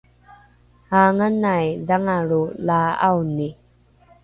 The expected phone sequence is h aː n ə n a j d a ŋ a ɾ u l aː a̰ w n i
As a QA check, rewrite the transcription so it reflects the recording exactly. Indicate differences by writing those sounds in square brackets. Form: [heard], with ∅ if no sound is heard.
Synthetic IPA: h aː [ŋ] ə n a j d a ŋ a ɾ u l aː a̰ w n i